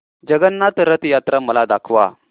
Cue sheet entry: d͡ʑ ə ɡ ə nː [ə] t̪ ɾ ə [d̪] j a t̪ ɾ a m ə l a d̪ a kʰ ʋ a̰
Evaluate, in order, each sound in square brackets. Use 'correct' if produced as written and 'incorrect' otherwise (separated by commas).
incorrect, incorrect